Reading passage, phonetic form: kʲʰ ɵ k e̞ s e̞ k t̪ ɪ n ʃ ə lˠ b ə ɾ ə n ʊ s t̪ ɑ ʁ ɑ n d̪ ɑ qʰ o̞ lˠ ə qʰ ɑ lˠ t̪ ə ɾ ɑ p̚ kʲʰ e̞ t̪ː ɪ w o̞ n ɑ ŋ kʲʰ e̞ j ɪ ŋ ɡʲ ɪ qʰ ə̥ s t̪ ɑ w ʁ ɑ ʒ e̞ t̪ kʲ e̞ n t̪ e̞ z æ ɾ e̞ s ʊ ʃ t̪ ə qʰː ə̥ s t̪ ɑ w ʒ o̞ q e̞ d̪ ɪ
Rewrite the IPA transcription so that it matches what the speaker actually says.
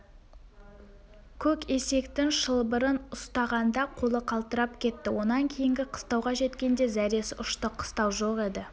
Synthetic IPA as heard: kʲʰ ɵ k e̞ s e̞ k t̪ ɪ ŋ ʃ ə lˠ b ə ɾ ə n ʊ s t̪ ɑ ʁ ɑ n d̪ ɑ qʰ o̞ lˠ ə qʰ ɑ lˠ t̪ ə ɾ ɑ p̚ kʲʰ e̞ t̪ː ɪ w o̞ n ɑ ŋ kʲʰ e̞ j ɪ ŋ ɡʲ ɪ qʰ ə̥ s t̪ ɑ w ʁ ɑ ʒ e̞ t̪ kʲ e̞ n d̪ e̞ z æ ɾ e̞ s ʊ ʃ t̪ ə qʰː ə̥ s t̪ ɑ w ʒ o̞ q e̞ d̪ ɪ